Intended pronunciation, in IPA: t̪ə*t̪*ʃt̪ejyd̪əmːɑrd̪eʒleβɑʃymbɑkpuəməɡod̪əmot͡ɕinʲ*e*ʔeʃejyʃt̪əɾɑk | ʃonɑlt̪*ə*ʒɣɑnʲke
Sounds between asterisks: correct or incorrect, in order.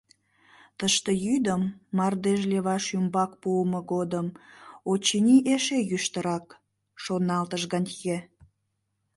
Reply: incorrect: none, incorrect: i, correct

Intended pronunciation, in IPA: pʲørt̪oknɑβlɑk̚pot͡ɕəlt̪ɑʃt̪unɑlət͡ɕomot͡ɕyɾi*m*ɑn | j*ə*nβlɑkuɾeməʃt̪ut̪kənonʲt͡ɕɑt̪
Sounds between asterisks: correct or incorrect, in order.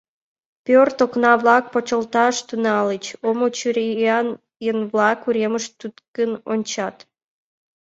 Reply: incorrect: none, correct

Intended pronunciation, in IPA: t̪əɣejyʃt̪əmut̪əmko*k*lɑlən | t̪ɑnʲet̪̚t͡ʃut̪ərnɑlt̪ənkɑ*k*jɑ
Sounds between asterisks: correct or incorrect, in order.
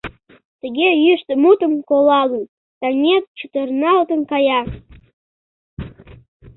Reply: incorrect: none, incorrect: none

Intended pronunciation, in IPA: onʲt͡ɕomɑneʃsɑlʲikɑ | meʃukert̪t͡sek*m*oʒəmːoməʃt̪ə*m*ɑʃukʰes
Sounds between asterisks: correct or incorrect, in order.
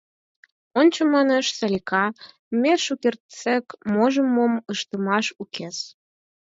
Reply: correct, correct

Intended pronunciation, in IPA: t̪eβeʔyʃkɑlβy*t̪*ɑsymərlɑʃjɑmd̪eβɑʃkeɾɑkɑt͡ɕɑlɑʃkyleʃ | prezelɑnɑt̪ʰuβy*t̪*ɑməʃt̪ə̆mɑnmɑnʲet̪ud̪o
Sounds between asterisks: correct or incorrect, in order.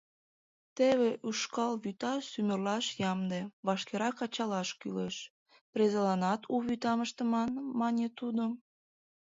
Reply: correct, correct

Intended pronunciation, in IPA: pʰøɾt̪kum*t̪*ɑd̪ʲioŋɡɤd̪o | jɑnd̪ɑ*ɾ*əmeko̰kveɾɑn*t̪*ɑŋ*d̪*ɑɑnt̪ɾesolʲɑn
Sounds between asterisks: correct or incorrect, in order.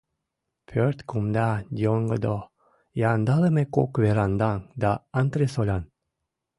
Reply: incorrect: d̪, incorrect: l, incorrect: d̪, correct

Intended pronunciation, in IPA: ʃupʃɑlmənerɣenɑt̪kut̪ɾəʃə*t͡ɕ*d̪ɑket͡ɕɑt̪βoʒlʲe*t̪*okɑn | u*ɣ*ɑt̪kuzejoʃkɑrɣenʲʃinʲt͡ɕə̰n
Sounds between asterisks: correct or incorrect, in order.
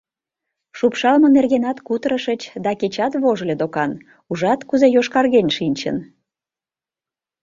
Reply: correct, incorrect: d̪, incorrect: ʒ

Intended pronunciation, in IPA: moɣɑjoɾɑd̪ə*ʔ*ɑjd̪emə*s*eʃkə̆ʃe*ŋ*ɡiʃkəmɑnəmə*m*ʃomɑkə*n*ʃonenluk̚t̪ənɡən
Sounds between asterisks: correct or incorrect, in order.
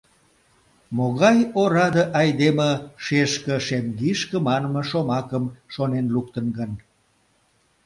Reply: correct, incorrect: ʃ, incorrect: m, incorrect: none, incorrect: m

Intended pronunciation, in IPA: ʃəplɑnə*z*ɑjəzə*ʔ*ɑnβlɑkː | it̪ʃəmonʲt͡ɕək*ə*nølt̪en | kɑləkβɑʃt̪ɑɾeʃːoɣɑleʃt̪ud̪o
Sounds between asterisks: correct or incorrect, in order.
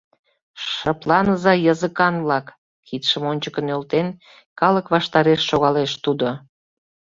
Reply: correct, incorrect: k, correct

